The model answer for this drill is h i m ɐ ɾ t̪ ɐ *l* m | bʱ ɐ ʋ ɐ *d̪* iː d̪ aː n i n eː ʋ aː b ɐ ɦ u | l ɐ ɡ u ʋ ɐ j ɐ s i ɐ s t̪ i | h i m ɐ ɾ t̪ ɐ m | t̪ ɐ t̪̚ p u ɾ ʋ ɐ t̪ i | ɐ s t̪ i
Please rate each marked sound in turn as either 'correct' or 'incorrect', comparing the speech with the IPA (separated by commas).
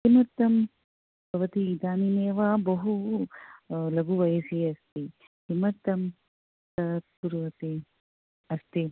incorrect, incorrect